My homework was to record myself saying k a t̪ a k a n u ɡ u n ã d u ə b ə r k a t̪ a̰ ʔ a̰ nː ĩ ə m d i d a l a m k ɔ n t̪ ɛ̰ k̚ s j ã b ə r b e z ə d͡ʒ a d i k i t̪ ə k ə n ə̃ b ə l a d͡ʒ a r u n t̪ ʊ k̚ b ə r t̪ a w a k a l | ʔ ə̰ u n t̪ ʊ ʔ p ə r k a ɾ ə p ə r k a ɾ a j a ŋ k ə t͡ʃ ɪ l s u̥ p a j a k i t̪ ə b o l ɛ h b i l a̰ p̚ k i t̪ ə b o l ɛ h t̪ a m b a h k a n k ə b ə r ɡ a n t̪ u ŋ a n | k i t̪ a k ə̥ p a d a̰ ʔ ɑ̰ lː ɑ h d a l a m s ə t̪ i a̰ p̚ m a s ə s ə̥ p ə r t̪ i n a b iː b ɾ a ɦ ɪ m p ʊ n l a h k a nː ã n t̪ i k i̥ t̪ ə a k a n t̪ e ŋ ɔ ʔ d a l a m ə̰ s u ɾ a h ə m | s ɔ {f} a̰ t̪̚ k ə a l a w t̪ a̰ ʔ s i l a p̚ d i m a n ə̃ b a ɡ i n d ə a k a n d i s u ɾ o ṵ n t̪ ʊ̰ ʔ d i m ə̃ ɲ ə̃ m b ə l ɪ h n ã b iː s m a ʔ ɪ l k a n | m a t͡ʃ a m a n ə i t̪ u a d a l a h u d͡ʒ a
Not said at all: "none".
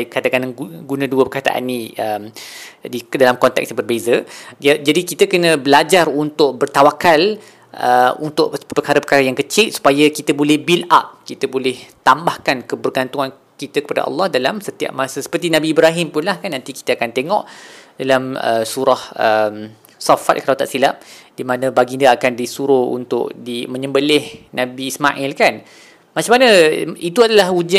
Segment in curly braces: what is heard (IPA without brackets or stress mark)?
f